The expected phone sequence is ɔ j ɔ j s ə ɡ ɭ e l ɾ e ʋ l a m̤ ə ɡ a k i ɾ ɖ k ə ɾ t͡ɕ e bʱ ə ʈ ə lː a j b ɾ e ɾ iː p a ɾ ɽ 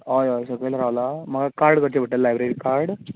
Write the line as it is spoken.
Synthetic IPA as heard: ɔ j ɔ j s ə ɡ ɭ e l ɾ a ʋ l a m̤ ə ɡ a k a ɾ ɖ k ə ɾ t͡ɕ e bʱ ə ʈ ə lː a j b ɾ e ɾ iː k a ɾ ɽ